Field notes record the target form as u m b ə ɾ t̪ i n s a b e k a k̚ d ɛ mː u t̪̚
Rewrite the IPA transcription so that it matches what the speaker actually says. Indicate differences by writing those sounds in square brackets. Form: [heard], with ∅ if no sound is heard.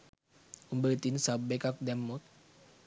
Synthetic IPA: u m b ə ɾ t̪ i n s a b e k a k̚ d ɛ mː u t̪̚